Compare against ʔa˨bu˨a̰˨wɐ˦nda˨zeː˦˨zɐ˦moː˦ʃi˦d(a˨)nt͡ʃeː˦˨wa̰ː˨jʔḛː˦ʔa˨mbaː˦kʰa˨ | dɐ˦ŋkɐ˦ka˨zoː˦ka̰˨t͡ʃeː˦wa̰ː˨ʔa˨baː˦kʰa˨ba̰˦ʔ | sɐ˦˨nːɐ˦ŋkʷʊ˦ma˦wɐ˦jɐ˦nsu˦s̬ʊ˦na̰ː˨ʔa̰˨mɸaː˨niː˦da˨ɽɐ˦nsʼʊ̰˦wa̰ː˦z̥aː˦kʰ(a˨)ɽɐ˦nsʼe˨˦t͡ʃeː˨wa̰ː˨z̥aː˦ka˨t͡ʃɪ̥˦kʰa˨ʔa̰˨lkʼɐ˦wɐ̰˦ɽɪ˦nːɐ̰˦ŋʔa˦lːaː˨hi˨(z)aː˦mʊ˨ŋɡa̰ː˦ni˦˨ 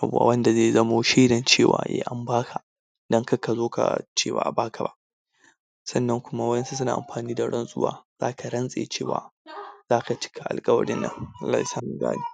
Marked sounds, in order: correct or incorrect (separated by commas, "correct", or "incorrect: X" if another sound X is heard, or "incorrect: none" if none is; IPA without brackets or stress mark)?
incorrect: ɐ˨, correct, incorrect: s